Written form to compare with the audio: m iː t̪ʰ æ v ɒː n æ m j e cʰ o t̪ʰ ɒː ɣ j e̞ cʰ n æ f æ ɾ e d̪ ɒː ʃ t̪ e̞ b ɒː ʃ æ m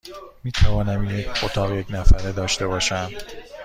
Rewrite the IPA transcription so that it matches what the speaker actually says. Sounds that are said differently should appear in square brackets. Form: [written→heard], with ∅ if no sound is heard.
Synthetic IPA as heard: m iː t̪ʰ æ v ɒː n æ m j e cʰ o t̪ʰ ɒː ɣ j e̞ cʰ n æ f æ ɾ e d̪ ɒː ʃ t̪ e̞ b ɒː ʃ æ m